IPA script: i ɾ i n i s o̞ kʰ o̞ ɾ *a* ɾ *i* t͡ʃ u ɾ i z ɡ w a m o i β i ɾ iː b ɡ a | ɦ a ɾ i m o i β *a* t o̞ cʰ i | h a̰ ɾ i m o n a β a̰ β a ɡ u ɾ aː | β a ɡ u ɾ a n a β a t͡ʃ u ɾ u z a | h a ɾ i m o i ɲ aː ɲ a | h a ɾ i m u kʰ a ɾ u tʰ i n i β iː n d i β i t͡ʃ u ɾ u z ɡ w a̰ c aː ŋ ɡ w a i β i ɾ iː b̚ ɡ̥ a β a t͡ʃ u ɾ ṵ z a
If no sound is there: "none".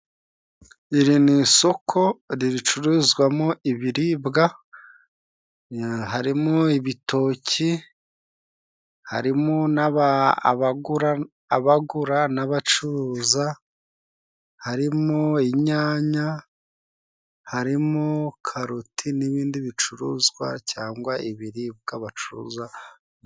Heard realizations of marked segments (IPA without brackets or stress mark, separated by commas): i, i, i